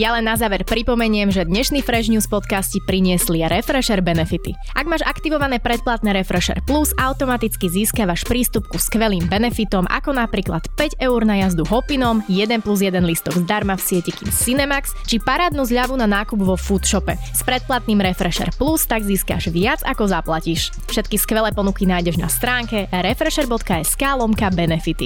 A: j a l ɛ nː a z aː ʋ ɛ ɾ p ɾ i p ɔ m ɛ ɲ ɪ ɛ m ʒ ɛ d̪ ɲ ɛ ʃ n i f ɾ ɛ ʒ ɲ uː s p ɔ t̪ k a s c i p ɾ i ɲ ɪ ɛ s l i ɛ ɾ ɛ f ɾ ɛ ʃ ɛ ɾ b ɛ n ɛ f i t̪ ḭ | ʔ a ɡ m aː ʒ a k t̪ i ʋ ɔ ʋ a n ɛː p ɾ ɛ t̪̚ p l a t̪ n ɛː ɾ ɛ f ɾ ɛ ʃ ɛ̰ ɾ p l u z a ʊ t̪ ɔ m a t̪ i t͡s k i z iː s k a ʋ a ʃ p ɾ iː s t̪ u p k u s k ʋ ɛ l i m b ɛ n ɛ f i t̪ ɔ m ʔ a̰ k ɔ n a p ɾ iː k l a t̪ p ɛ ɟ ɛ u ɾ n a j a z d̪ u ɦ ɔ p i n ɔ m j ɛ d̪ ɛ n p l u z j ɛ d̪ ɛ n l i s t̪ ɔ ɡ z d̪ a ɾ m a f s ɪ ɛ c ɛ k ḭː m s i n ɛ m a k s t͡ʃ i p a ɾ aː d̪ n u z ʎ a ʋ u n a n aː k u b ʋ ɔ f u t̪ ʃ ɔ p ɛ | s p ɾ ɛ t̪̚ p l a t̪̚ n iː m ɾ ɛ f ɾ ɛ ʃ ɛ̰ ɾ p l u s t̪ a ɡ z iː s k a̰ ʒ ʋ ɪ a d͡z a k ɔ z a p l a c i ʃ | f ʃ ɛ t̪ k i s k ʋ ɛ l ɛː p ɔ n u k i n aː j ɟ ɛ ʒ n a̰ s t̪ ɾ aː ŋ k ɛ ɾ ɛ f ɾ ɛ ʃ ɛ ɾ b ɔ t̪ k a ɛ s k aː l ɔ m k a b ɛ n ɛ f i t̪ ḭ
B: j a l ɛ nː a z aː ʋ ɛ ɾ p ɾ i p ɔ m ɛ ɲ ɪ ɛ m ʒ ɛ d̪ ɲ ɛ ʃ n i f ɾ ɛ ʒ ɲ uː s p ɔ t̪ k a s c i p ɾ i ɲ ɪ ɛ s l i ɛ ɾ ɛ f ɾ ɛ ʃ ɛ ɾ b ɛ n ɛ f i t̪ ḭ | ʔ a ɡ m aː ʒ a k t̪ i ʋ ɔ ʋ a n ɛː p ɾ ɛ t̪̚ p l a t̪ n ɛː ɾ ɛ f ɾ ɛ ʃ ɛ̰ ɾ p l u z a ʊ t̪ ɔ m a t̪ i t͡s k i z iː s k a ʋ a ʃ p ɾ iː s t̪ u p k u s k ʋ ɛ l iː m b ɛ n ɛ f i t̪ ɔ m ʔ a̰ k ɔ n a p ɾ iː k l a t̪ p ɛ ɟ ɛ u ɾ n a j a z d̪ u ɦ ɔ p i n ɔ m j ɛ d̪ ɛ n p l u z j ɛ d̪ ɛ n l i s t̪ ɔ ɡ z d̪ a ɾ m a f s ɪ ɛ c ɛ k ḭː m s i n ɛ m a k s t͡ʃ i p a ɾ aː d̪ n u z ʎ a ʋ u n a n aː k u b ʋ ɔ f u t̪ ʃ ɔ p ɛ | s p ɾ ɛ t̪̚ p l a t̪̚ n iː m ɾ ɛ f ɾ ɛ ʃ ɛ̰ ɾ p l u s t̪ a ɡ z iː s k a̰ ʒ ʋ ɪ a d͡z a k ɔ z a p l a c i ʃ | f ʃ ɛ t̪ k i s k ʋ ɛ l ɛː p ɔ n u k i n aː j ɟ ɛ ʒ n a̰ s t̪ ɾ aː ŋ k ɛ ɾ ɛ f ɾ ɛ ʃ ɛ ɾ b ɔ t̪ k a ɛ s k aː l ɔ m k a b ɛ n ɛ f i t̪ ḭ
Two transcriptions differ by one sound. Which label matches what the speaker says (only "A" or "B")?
B